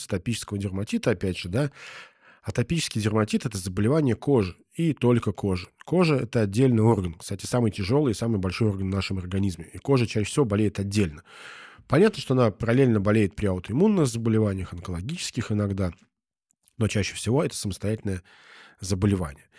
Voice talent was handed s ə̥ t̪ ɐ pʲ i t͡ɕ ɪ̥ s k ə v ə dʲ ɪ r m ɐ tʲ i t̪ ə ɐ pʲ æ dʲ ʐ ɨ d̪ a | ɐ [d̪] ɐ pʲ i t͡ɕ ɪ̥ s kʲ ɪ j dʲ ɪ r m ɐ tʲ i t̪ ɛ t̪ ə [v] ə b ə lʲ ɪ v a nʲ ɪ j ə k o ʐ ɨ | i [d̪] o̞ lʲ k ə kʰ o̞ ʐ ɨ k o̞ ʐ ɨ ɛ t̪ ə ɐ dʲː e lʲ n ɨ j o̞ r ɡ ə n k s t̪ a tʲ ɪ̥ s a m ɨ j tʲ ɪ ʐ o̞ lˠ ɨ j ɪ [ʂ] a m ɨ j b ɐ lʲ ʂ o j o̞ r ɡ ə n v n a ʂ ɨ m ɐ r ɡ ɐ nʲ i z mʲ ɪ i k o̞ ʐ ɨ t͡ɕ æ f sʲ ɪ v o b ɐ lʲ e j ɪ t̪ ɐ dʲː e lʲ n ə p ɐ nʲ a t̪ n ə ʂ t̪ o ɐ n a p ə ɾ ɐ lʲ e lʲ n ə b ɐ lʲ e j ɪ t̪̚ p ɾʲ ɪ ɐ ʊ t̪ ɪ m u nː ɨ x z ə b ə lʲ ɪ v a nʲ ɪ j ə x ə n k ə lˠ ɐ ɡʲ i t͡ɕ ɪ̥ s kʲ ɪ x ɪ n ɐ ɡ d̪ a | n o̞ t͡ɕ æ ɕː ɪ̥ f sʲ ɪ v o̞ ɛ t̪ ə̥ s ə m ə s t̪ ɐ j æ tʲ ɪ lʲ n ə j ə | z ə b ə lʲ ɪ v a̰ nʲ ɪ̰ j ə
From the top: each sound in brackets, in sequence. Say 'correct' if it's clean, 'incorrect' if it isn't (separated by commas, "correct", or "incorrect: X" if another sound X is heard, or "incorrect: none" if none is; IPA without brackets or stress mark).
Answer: incorrect: t̪, incorrect: z, incorrect: t̪, incorrect: s